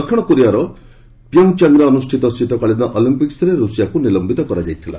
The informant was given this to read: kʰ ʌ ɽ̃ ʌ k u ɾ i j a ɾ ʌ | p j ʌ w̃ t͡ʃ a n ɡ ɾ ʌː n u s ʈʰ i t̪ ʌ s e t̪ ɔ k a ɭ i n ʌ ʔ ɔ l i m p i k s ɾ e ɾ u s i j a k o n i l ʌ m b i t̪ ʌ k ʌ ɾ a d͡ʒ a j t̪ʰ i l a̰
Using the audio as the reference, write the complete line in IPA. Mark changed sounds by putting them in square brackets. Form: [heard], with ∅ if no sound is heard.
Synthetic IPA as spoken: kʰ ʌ ɽ̃ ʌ k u ɾ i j a ɾ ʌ | p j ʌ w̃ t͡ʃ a [ŋ] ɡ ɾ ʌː n u s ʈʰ i t̪ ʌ s [i] t̪ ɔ k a ɭ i n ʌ ʔ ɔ l i m p i k s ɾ e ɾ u s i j a k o n i l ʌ m b i t̪ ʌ k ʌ ɾ a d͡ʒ a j t̪ʰ i l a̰

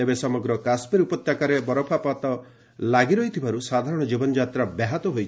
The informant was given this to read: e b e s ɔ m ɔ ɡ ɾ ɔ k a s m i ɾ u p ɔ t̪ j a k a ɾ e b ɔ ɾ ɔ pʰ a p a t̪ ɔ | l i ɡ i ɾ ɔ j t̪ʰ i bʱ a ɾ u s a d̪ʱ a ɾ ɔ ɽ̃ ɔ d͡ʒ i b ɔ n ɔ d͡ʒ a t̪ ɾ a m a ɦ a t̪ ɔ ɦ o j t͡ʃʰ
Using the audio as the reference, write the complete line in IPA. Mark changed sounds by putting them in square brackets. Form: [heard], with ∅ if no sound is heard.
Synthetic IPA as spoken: e b e s ɔ m ɔ ɡ ɾ ɔ k a s m i ɾ u p ɔ t̪ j a k a ɾ e b ɔ ɾ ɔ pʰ a p a t̪ ɔ | l [a] ɡ i ɾ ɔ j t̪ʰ i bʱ a ɾ u s a d̪ʱ a ɾ ɔ ɽ̃ ɔ d͡ʒ i b ɔ n ɔ d͡ʒ a t̪ ɾ a [b] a ɦ a t̪ ɔ ɦ o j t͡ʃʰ

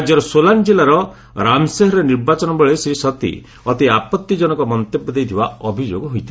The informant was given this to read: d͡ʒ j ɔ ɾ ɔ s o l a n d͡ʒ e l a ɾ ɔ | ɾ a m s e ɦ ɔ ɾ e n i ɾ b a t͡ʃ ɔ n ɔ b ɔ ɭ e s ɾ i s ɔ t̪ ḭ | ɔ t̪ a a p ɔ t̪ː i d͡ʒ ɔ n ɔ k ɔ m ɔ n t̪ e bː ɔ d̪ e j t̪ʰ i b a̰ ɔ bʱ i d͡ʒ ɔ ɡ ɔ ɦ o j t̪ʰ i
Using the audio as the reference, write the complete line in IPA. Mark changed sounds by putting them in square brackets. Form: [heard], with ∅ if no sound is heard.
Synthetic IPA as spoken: d͡ʒ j ɔ ɾ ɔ s o l a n d͡ʒ e l a ɾ ɔ | ɾ a m s e ɦ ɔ ɾ e n i ɾ b a t͡ʃ ɔ n ɔ b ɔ ɭ e s ɾ i s ɔ t̪ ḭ | ɔ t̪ [i] a p ɔ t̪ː i d͡ʒ ɔ n ɔ k ɔ m ɔ n t̪ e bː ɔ d̪ e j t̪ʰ i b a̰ ɔ bʱ i d͡ʒ [o] ɡ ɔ ɦ o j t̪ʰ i

